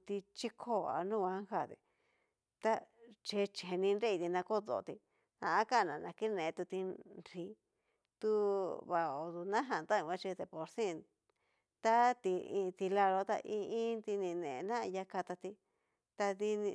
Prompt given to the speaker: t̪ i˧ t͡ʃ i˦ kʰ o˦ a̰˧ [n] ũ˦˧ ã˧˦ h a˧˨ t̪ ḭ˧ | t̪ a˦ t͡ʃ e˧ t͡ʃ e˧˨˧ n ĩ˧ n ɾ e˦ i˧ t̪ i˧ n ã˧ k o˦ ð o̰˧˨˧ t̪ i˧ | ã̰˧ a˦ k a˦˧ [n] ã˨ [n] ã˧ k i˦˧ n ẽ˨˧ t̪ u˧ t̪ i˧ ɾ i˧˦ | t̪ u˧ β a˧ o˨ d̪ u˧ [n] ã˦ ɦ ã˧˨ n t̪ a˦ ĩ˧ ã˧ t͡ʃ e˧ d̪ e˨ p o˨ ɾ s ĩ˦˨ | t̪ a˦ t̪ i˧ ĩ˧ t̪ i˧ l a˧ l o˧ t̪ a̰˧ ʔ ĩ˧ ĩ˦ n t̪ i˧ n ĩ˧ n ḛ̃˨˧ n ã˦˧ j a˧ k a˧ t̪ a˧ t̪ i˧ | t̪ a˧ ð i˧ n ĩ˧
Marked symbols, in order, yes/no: yes, yes, yes, yes

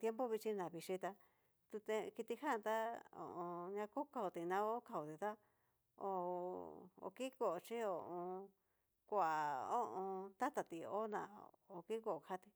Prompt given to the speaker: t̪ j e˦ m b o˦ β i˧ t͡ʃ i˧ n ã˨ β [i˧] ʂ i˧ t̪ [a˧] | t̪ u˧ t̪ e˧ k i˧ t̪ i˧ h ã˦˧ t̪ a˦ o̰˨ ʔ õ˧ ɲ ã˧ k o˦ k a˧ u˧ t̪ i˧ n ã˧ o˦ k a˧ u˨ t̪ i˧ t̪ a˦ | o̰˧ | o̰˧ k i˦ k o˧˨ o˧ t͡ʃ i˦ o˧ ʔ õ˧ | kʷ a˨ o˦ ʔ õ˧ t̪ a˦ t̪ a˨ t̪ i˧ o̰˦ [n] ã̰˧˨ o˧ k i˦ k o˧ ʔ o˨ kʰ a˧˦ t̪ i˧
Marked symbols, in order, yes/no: yes, yes, yes

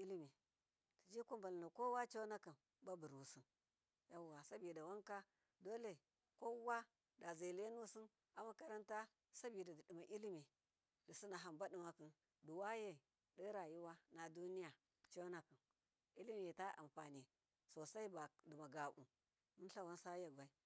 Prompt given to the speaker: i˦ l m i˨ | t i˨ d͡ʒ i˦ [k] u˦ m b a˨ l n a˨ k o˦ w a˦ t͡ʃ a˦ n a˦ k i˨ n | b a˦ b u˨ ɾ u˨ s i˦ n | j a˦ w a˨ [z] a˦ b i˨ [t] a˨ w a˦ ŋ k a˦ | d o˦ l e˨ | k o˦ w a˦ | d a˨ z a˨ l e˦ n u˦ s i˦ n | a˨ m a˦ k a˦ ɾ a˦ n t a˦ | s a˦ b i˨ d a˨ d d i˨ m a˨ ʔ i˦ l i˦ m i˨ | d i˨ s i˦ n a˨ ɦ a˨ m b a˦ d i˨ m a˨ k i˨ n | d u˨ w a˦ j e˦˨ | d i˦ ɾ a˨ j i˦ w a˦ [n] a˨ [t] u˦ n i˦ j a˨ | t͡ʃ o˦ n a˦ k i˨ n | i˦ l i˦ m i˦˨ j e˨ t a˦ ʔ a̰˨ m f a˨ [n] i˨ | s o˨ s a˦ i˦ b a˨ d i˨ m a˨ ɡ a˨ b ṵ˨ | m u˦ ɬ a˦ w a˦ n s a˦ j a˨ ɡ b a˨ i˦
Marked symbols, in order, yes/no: yes, no, no, yes, no, yes

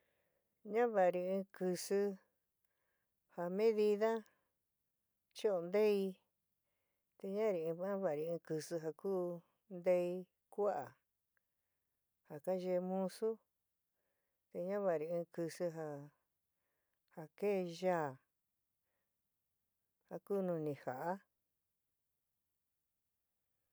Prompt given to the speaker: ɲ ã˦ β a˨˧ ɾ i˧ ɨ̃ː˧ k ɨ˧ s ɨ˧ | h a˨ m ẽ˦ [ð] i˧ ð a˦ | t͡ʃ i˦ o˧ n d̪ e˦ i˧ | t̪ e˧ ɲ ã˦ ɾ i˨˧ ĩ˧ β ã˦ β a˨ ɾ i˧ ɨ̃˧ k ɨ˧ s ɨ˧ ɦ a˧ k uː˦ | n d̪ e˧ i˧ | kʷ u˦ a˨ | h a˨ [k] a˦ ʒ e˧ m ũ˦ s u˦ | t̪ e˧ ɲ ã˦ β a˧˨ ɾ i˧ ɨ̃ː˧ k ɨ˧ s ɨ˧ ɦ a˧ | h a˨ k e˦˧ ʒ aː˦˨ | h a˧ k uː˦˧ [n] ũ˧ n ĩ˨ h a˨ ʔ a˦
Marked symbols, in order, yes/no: yes, yes, yes

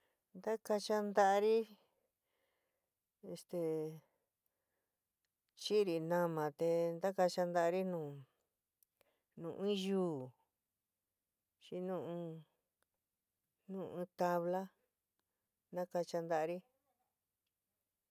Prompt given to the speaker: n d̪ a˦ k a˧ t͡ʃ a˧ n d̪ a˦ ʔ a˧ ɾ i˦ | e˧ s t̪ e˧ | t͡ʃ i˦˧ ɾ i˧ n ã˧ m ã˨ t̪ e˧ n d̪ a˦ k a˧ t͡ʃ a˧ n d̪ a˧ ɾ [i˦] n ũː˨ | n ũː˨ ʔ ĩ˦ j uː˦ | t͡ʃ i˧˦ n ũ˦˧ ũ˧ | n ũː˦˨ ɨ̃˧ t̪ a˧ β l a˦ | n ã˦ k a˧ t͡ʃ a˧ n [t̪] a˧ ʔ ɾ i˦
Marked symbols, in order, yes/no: yes, no

